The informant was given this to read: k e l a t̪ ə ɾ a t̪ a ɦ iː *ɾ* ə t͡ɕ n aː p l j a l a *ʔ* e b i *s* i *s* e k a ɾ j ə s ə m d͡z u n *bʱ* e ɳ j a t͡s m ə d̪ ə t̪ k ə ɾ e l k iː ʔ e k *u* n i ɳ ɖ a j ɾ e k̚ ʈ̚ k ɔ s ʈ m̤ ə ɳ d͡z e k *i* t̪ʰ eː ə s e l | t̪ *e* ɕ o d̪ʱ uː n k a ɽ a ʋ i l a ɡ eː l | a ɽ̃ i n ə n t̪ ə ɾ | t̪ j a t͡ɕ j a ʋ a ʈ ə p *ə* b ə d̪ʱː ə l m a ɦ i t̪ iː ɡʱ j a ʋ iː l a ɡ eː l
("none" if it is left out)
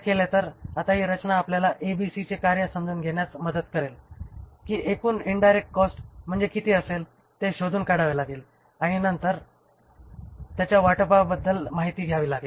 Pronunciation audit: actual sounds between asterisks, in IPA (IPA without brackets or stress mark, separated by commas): ɾ, ʔ, s, t͡s, ɡʱ, uː, i, e, a